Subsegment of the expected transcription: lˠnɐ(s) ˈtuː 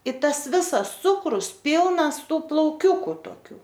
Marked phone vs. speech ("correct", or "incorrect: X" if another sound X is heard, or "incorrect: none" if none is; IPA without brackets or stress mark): correct